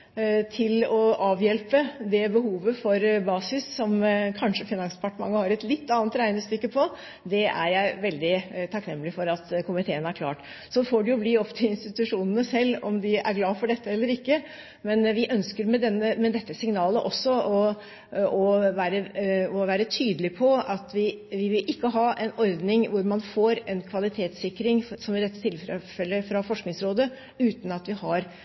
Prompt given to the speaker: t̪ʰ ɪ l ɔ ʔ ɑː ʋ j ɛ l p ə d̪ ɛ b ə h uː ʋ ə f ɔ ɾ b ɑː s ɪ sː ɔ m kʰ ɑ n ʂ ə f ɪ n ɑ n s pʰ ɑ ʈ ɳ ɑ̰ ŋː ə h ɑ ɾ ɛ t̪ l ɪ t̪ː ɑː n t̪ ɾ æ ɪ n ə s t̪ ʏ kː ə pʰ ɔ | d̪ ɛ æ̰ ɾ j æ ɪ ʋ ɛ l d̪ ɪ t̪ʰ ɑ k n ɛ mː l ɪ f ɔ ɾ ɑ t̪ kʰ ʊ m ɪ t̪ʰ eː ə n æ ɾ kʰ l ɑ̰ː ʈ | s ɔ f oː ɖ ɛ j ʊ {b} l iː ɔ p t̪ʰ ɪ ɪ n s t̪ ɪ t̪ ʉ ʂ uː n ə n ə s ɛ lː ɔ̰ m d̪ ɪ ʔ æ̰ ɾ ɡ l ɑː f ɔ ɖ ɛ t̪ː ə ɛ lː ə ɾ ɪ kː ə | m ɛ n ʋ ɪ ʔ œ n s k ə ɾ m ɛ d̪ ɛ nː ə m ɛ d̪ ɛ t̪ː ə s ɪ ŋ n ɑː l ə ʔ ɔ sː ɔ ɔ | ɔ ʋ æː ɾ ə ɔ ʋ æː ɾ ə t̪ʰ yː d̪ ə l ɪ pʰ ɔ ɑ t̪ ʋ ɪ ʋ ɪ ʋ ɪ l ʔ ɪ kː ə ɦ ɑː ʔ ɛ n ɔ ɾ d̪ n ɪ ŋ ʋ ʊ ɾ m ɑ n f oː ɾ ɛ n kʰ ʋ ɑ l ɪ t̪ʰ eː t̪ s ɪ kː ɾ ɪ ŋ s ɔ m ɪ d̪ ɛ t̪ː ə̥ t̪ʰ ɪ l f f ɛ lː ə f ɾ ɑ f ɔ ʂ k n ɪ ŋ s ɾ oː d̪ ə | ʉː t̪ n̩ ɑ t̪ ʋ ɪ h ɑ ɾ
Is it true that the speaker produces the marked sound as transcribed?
yes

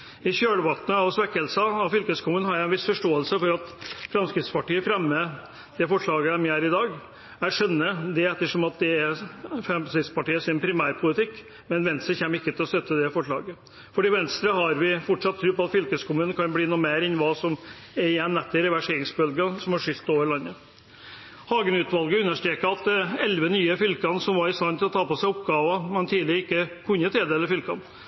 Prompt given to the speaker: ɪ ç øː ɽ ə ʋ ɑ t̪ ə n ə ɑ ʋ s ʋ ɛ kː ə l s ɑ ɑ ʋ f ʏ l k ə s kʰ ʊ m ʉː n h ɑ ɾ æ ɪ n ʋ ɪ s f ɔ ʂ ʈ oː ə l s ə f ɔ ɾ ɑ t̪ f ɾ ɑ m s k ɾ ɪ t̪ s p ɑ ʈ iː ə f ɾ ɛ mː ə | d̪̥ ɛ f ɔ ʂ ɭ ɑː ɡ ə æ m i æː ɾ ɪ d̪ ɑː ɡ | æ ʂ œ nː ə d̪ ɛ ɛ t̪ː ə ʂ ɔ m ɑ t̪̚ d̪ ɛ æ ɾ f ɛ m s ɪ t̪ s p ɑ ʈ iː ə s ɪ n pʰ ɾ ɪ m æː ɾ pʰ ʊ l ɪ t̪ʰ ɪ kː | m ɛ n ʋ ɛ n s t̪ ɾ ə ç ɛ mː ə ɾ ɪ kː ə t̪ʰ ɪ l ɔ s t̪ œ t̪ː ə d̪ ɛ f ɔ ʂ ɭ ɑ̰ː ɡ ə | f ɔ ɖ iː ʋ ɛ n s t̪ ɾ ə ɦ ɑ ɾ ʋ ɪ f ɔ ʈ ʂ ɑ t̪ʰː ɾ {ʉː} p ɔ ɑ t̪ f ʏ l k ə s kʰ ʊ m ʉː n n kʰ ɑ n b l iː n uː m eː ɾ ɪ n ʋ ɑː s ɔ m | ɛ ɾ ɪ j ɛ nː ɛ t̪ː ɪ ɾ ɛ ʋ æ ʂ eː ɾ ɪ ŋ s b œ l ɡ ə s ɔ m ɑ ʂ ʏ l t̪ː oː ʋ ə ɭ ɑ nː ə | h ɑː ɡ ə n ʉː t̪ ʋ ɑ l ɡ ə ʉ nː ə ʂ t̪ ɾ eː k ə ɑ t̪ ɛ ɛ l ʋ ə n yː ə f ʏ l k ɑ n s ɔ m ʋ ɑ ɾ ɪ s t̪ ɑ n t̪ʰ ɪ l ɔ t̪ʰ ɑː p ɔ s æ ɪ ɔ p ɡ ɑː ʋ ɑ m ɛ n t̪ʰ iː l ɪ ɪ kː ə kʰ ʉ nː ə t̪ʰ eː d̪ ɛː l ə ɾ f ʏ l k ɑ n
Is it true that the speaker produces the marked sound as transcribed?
yes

